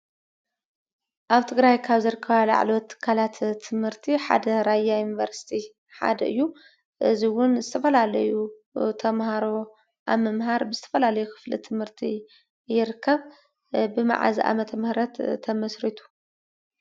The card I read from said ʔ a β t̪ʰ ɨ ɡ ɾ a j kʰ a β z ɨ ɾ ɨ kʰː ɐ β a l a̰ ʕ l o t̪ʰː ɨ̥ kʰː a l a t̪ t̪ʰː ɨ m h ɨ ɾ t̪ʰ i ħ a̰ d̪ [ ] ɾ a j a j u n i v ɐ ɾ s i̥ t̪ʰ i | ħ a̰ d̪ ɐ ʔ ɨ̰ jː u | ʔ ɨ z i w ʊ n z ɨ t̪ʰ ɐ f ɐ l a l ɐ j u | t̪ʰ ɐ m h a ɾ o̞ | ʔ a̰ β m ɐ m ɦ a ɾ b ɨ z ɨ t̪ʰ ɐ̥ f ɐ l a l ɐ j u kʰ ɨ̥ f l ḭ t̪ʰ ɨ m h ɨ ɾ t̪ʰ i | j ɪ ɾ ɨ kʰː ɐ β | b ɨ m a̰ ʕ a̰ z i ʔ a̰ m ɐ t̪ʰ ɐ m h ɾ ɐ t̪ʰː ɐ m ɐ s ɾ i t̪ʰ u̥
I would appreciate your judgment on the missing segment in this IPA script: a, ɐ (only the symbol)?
ɐ